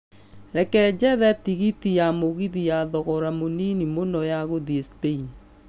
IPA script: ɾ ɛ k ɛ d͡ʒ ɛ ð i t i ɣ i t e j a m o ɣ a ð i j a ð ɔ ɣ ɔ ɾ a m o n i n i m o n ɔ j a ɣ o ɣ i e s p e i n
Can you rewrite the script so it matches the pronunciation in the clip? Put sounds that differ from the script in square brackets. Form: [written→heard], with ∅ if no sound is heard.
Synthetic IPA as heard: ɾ ɛ k ɛ d͡ʒ ɛ ð [i→ɛ] t i ɣ i t [e→i] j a m o ɣ [a→i] ð i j a ð ɔ ɣ ɔ ɾ a m o n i n i m o n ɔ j a ɣ o [ɣ→ð] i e s p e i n